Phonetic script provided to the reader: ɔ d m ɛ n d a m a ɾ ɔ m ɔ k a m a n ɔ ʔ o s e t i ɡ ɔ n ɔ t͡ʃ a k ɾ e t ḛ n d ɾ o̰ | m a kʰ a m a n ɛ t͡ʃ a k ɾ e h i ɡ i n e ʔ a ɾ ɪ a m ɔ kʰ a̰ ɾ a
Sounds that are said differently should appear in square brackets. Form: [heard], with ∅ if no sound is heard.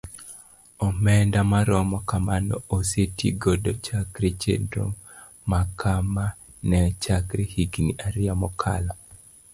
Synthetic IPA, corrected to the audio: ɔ [∅] m ɛ n d a m a ɾ ɔ m ɔ k a m a n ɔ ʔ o s e t i ɡ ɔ [d] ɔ t͡ʃ a k ɾ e [t͡ʃ] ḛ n d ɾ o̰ | m a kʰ a m a n ɛ t͡ʃ a k ɾ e h i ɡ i n [i] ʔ a ɾ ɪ a m ɔ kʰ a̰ [l] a